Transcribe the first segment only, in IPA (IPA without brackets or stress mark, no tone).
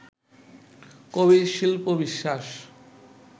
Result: k